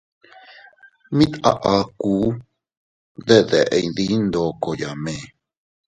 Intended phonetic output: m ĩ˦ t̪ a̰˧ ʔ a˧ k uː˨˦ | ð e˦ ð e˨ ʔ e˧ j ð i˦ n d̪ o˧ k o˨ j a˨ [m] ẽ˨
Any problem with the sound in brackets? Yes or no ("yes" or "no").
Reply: no